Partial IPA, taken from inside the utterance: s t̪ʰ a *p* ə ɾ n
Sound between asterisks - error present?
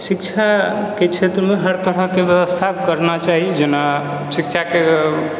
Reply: yes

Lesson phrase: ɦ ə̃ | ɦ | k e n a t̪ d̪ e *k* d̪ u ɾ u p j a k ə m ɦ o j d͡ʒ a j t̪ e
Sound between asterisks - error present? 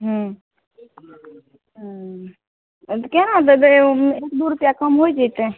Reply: no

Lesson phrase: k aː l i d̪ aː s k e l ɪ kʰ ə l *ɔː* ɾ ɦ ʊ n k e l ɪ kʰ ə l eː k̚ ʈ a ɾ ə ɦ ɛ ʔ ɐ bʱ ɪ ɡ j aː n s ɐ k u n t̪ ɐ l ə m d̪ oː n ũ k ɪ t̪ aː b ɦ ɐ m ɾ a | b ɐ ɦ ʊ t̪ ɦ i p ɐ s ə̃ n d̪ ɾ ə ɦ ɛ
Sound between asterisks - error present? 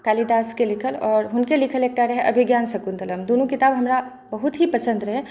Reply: no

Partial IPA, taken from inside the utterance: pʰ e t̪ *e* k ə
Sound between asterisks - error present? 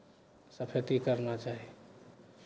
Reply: yes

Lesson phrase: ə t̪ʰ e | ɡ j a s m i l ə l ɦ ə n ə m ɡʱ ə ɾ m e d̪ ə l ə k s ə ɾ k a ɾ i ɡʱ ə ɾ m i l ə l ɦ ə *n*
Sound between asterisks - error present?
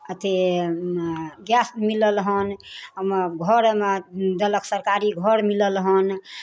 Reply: no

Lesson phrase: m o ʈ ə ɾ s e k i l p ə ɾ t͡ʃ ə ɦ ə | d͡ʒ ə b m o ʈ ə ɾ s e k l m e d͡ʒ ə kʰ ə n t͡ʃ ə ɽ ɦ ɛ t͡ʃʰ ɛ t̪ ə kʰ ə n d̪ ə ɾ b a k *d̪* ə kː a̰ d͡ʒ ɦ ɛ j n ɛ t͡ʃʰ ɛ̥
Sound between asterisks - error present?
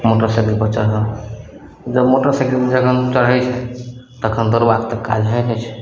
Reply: yes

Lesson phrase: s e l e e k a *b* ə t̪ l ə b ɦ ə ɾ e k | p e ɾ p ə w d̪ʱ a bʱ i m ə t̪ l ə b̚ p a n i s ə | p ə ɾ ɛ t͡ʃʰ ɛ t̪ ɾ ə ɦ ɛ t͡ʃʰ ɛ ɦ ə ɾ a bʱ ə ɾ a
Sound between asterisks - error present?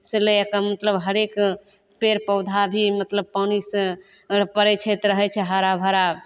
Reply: yes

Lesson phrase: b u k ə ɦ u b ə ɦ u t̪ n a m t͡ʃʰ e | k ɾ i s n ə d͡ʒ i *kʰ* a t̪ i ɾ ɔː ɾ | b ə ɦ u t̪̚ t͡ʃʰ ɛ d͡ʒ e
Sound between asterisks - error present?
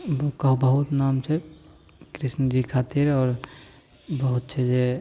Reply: no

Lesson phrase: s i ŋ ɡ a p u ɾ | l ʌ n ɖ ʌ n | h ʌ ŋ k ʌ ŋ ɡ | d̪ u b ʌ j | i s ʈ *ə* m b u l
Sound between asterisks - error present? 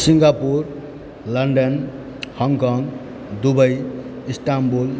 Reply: yes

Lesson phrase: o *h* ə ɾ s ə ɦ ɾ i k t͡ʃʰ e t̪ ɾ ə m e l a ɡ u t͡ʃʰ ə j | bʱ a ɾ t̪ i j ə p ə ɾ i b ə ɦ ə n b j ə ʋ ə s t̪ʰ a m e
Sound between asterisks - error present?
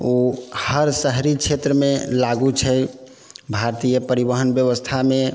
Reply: no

